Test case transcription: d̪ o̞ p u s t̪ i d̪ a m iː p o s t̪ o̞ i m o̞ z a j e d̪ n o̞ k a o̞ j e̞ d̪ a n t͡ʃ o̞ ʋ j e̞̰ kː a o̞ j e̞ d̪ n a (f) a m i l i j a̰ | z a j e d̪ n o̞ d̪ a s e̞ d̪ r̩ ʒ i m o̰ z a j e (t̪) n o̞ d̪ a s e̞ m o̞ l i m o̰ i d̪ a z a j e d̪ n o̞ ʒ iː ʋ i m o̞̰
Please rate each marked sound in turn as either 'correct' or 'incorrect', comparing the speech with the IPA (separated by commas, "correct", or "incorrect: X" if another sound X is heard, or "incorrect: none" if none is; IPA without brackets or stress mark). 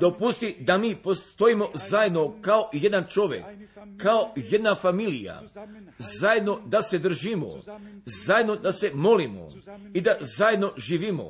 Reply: correct, incorrect: d̪